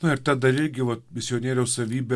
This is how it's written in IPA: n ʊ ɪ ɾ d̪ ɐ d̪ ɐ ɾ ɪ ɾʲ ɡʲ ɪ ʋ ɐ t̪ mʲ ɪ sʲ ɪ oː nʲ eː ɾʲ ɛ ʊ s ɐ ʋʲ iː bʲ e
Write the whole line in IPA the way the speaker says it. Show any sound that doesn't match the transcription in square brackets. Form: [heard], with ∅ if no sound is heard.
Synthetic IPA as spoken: n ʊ ɪ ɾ [t̪] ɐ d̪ ɐ ɾ ɪ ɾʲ ɡʲ ɪ ʋ ɐ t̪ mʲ ɪ sʲ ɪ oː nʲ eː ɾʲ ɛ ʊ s ɐ ʋʲ iː bʲ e